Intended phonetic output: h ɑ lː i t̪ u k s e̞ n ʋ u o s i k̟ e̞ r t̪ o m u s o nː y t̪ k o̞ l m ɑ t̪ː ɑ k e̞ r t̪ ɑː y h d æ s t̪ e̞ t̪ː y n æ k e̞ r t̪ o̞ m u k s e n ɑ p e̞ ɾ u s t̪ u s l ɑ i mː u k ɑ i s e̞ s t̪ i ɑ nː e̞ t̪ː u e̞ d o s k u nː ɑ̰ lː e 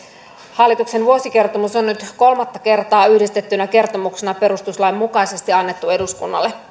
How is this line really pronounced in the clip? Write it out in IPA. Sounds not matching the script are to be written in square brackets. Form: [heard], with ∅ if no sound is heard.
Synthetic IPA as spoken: h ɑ lː i t̪ u k s e̞ n ʋ u o s i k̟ e̞ r t̪ o m u s o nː y t̪ k o̞ l m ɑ t̪ː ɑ k e̞ r t̪ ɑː y h d [i] s t̪ e̞ t̪ː y n æ k e̞ r t̪ o̞ m u k s e n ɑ p e̞ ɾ u s t̪ u s l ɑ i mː u k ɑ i s e̞ s t̪ i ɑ nː e̞ t̪ː u e̞ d [u] s k u nː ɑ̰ lː e